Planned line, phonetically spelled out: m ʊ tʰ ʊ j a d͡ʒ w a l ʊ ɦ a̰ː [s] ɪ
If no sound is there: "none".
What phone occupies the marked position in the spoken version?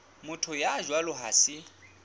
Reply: s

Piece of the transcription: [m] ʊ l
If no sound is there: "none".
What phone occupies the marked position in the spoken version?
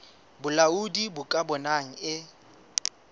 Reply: b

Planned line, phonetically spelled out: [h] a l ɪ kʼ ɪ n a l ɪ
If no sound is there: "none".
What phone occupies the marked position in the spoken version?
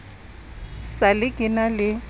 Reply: s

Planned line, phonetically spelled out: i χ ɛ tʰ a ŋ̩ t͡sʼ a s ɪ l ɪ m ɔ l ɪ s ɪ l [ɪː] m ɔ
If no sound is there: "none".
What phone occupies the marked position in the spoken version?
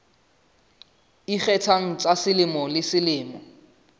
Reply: ɪː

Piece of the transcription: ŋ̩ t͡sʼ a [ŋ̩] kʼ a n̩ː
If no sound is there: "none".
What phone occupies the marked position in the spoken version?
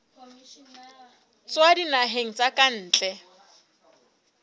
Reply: none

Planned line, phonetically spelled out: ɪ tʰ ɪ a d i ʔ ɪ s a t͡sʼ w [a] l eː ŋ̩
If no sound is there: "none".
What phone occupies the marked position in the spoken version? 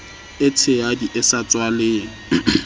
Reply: a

